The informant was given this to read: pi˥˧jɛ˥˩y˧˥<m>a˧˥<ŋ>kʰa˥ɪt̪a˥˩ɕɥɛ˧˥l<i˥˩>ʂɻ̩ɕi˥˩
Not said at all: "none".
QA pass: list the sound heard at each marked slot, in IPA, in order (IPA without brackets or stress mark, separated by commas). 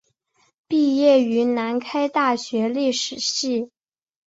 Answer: n, n, i˥˩